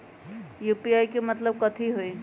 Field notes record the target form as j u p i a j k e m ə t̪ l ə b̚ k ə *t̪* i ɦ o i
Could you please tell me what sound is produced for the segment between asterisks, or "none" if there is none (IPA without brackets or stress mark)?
t̪ʰ